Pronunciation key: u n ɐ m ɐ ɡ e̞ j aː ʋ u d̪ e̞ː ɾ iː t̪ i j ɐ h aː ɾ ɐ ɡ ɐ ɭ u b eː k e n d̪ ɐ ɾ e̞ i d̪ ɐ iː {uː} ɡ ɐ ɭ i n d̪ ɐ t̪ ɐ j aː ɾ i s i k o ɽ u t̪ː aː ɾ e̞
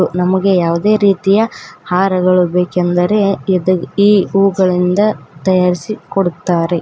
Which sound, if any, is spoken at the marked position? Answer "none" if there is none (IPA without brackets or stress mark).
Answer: uː